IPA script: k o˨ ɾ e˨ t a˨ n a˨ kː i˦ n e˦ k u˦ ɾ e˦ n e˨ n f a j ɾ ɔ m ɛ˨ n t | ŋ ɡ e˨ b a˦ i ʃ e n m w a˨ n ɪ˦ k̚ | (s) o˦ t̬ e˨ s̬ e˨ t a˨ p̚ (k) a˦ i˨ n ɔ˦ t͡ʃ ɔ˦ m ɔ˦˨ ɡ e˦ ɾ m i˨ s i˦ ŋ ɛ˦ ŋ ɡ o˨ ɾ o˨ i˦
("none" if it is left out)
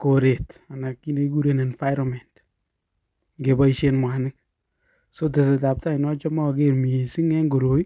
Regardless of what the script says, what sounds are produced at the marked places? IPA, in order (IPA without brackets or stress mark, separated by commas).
s, t